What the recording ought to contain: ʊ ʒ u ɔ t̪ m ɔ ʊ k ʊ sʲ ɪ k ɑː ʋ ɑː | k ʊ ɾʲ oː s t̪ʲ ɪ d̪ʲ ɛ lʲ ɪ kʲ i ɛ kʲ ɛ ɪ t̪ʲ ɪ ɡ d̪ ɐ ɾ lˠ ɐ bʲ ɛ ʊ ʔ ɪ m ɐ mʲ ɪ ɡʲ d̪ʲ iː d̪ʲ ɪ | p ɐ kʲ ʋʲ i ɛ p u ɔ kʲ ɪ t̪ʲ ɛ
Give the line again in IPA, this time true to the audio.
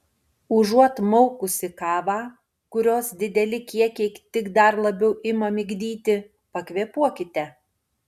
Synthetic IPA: ʊ ʒ u ɔ t̪ m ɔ ʊ k ʊ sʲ ɪ k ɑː ʋ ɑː | k ʊ ɾʲ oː s d̪ʲ ɪ d̪ʲ ɛ lʲ ɪ kʲ i ɛ kʲ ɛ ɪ t̪ʲ ɪ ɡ d̪ ɐ ɾ lˠ ɐ bʲ ɛ ʊ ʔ ɪ m ɐ mʲ ɪ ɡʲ d̪ʲ iː t̪ʲ ɪ | p ɐ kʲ ʋʲ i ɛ p u ɔ kʲ ɪ t̪ʲ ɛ